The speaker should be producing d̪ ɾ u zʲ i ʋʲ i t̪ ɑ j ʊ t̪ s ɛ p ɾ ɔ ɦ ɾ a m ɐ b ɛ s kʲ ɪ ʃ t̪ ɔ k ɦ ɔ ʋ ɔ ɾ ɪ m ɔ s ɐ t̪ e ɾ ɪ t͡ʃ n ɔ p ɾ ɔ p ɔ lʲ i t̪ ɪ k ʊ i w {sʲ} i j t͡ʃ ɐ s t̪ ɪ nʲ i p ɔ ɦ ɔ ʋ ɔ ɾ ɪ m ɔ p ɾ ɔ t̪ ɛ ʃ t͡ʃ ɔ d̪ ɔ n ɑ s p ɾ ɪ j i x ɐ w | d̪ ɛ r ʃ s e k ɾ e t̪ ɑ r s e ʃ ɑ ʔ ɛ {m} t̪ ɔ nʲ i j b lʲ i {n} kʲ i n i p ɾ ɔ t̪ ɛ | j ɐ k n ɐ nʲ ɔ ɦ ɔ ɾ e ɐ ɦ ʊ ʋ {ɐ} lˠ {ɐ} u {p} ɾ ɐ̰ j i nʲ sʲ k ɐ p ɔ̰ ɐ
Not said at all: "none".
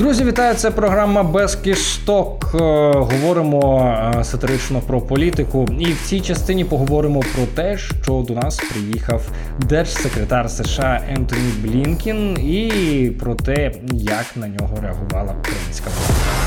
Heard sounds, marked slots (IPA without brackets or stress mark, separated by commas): t͡sʲ, n, n, ɑ, ɐ, k